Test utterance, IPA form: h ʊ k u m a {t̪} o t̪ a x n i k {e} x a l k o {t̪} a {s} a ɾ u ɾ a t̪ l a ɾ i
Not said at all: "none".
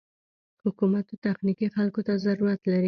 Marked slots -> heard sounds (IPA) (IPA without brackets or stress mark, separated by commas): t̪, i, t̪, z